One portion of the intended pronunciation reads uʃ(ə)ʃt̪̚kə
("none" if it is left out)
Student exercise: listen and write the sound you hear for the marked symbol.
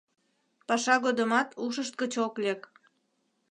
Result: ə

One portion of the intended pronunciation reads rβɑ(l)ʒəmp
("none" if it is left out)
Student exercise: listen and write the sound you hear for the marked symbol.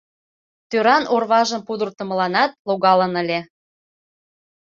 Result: none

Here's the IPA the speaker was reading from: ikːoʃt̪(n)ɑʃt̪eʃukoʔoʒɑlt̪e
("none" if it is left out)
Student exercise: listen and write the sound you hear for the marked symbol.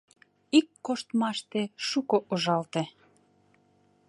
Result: m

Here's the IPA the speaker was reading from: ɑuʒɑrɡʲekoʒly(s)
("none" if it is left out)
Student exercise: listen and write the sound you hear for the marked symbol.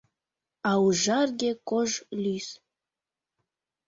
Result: s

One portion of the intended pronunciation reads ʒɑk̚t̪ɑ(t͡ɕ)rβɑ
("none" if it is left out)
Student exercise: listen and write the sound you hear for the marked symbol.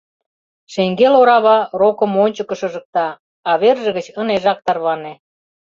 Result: none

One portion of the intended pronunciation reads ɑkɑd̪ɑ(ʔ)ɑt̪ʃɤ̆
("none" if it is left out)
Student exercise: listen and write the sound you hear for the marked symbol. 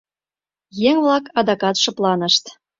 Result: k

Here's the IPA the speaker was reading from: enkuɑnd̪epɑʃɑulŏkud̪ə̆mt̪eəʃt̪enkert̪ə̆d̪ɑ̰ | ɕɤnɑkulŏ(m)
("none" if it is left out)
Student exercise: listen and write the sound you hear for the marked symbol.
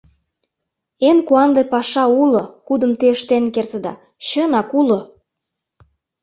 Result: none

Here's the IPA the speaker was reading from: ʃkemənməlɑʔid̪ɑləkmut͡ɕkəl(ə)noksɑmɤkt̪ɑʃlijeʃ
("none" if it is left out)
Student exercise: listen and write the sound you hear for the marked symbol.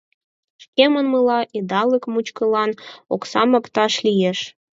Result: ɑ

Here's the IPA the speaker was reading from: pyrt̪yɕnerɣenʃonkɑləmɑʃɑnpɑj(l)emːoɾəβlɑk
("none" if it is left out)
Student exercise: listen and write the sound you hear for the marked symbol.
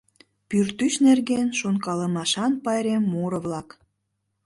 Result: ɾ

